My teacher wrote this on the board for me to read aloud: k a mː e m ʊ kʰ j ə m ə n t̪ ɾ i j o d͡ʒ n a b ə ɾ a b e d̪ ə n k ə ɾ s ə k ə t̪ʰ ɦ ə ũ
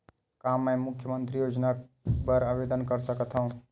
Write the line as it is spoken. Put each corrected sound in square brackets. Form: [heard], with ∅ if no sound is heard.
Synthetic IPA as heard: k a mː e m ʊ kʰ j ə m ə n t̪ ɾ i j o d͡ʒ n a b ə ɾ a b e d̪ ə n k ə ɾ s ə k ə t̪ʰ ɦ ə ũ

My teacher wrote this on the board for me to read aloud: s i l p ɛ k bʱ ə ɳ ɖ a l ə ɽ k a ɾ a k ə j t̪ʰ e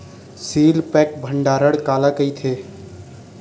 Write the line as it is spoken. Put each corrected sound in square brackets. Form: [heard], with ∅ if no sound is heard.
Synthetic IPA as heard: s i l p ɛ k bʱ ə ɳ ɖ a [ɾ] ə ɽ k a [l] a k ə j t̪ʰ e

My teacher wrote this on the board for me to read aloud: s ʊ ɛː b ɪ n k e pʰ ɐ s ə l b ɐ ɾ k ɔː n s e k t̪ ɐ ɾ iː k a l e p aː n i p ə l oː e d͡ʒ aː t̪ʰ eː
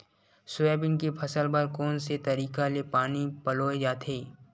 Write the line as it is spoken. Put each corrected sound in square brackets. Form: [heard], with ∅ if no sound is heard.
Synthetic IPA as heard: s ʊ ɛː b ɪ n k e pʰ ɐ s ə l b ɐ ɾ k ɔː n s e [∅] t̪ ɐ ɾ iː k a l e p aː n i p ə l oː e d͡ʒ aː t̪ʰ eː

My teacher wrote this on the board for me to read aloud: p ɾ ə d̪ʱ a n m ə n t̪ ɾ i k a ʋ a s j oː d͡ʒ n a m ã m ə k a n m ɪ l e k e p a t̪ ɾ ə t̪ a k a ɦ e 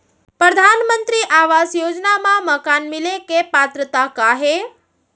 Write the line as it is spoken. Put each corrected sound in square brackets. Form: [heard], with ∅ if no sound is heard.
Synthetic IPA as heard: p ɾ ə d̪ʱ a n m ə n t̪ ɾ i [ʔ] a ʋ a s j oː d͡ʒ n a m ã m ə k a n m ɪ l e k e p a t̪ ɾ ə t̪ a k a ɦ e

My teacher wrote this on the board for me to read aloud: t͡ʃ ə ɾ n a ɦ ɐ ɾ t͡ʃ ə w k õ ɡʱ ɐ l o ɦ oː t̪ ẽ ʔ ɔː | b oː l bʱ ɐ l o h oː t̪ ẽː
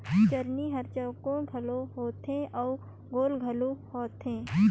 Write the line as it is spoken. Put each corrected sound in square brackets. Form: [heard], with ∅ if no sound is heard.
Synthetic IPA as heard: t͡ʃ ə ɾ n [i] ɦ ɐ ɾ t͡ʃ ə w k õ ɡʱ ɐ l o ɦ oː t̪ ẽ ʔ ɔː | [ɡ] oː l [ɡʱ] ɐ l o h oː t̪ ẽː

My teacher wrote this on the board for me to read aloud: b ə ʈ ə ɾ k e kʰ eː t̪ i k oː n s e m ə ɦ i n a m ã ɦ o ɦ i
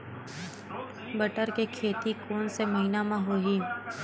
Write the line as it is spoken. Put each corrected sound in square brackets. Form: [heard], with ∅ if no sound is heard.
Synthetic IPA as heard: b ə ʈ ə ɾ k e kʰ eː t̪ i k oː n s e m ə ɦ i n a m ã ɦ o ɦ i

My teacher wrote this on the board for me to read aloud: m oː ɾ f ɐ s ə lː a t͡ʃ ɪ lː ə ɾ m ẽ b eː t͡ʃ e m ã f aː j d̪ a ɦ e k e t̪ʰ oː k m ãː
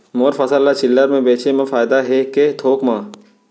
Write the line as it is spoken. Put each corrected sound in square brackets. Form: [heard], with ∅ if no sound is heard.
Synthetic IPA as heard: m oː ɾ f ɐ s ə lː a t͡ʃ ɪ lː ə ɾ m ẽ b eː t͡ʃ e m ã f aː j d̪ a ɦ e k e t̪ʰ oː k m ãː

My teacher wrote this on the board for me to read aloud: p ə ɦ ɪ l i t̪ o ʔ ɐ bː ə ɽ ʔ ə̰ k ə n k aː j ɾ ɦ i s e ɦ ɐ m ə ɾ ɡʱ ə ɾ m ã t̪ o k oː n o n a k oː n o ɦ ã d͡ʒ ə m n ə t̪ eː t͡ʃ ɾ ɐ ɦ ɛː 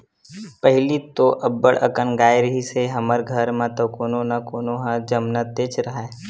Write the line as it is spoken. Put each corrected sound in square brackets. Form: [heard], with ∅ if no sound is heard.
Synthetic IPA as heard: p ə ɦ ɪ l i t̪ o ʔ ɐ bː ə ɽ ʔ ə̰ k ə n [ɡ] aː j ɾ ɦ i s e ɦ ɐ m ə ɾ ɡʱ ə ɾ m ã t̪ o k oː n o n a k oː n o ɦ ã d͡ʒ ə m n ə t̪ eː t͡ʃ ɾ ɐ ɦ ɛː

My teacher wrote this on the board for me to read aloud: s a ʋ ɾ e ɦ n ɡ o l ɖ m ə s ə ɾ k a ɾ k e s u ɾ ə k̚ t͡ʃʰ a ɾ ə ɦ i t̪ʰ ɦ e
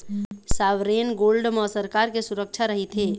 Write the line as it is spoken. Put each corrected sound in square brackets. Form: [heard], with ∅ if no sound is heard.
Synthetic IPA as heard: s a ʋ ɾ e [∅] n ɡ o l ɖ m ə s ə ɾ k a ɾ k e s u ɾ ə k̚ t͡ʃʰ a ɾ ə ɦ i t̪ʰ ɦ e

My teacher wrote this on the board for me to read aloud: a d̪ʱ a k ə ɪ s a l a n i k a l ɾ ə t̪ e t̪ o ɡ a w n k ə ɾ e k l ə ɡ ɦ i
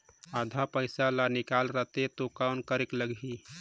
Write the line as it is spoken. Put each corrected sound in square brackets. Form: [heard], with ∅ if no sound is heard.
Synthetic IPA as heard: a d̪ʱ a [p] ə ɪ s a l a n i k a l ɾ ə t̪ e t̪ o [k] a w n k ə ɾ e k l ə ɡ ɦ i

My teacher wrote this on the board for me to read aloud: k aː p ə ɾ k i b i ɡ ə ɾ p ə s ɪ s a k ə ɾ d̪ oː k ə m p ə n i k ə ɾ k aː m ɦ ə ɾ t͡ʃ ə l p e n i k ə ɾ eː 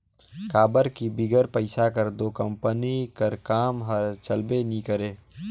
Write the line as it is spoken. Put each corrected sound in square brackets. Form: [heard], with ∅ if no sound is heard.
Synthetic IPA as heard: k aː [b] ə ɾ k i b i ɡ ə ɾ p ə [∅] ɪ s a k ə ɾ d̪ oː k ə m p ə n i k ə ɾ k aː m ɦ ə ɾ t͡ʃ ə l [b] e n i k ə ɾ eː

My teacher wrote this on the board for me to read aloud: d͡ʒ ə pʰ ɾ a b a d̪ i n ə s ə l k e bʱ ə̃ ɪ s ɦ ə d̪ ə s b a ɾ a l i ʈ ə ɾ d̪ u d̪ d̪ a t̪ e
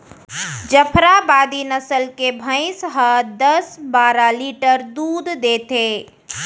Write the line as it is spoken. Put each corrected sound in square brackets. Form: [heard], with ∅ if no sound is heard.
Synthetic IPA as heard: d͡ʒ ə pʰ ɾ a b a d̪ i n ə s ə l k e bʱ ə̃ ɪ s ɦ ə d̪ ə s b a ɾ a l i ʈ ə ɾ d̪ u d̪ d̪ [e] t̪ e

